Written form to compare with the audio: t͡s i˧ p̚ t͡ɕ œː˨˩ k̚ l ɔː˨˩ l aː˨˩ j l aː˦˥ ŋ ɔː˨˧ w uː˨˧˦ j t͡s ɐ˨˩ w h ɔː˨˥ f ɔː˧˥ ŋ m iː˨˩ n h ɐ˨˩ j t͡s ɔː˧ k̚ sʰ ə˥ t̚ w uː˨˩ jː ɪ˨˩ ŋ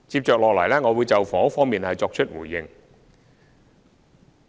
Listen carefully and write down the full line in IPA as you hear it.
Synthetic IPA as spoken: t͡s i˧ p̚ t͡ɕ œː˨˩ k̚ l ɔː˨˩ l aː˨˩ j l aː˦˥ ŋ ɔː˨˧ w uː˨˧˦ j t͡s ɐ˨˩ w f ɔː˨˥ f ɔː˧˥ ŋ m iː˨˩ n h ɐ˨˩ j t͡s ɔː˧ k̚ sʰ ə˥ t̚ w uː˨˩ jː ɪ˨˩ ŋ

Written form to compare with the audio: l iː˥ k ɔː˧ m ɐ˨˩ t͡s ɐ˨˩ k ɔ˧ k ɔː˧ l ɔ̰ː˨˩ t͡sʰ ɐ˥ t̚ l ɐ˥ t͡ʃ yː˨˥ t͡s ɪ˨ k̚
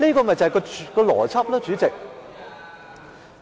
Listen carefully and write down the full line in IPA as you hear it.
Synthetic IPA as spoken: l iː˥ k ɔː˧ m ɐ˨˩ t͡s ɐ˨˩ k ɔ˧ k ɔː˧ l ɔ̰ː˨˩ t͡sʰ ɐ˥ p̚ l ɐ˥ t͡ʃ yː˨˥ t͡s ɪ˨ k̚

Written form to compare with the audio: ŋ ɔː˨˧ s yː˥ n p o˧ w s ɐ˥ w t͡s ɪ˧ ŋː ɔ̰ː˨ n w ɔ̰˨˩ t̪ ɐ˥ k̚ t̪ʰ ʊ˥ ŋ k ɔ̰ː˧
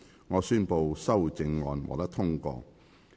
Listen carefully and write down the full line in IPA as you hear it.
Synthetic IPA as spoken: ŋ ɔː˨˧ s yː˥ n p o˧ w s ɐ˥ w t͡s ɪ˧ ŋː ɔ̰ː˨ n w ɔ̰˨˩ t̪ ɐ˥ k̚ t̪ʰ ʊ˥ ŋ k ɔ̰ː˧

